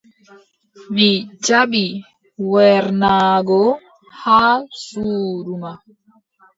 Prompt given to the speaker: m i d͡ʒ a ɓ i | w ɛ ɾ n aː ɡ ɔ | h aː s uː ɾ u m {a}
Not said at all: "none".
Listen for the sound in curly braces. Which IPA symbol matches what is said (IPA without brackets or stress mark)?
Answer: a